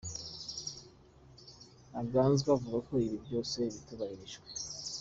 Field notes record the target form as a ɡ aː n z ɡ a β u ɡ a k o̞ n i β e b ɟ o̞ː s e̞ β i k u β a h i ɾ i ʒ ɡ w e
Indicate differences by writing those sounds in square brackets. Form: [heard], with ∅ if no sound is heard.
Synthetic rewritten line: a ɡ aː n z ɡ a [v] u ɡ a k o̞ [∅] i β [i] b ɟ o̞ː s e̞ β i [t] u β a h i ɾ i ʒ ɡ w e